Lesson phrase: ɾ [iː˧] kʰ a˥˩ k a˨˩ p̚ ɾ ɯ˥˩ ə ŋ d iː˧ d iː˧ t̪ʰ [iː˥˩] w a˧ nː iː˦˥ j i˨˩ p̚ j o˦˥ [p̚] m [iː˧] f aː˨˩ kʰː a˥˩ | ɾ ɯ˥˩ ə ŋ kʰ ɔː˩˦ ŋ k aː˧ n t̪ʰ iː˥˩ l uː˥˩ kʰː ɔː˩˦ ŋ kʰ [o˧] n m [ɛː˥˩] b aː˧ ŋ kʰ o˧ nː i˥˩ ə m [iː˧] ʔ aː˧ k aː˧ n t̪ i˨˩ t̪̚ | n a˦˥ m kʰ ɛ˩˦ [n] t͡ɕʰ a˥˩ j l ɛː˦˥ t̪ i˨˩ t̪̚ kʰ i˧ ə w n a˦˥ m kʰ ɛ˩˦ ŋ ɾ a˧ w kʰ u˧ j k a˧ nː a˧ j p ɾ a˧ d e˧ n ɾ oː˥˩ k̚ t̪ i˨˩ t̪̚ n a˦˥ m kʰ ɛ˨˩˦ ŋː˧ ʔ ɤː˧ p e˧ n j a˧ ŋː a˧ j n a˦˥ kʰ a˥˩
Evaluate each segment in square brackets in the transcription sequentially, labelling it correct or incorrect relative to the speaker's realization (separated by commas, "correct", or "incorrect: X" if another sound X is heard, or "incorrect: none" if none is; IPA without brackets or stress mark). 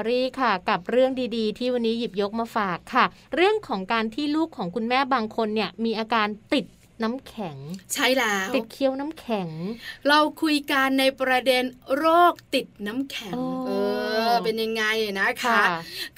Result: incorrect: iː˥˩, correct, incorrect: k̚, incorrect: aː˧, incorrect: u˧, correct, correct, incorrect: ŋ